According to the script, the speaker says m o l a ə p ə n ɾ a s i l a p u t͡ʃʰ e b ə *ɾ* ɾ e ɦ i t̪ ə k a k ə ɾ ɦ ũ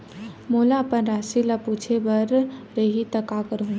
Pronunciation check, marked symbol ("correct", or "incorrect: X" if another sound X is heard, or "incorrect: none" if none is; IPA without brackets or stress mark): correct